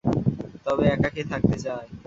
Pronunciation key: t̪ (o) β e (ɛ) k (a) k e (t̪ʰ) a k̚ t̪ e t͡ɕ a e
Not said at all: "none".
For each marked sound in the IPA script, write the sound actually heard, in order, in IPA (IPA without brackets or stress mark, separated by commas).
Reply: ɔ, ɛ, a, t̪ʰ